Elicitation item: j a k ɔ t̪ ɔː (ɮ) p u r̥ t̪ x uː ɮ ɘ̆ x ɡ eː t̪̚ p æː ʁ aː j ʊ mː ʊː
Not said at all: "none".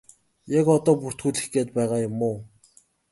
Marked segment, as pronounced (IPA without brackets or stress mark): none